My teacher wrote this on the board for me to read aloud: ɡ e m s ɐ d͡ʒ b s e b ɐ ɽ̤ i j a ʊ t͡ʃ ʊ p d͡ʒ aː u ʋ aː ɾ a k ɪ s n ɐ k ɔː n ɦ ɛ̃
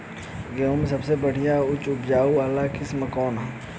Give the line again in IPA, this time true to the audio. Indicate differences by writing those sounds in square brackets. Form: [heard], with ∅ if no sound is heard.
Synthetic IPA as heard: ɡ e m s ɐ [∅] b s e b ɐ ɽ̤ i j a ʊ t͡ʃ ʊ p d͡ʒ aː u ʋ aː [l] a k ɪ s [m] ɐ k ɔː n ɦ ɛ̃